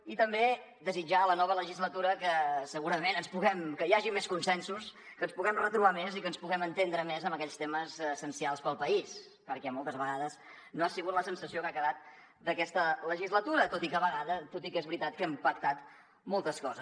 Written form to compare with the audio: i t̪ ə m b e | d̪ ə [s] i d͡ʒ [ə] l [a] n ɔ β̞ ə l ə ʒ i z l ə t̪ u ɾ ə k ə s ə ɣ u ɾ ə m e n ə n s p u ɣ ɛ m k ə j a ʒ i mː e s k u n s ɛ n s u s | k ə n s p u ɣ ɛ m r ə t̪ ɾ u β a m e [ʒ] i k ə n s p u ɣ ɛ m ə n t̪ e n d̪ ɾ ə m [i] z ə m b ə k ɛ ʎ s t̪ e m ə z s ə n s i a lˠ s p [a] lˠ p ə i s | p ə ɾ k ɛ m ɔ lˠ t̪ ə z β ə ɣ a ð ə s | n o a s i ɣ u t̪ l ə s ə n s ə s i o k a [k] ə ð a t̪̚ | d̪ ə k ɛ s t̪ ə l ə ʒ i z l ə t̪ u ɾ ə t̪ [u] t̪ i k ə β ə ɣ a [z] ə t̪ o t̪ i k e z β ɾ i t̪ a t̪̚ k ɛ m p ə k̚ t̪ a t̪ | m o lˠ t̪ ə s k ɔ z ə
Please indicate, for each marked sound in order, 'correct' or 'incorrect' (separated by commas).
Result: incorrect, incorrect, incorrect, incorrect, incorrect, incorrect, correct, incorrect, incorrect